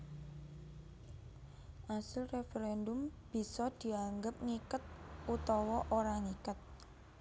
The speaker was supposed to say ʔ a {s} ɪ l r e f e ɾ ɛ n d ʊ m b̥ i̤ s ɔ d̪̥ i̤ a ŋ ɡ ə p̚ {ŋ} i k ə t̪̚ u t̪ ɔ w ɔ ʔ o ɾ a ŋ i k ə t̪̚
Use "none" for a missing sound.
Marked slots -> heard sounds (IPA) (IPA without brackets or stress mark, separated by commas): s, ŋ